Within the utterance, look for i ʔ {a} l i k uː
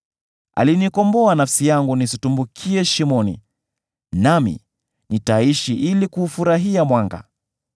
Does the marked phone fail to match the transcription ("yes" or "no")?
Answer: yes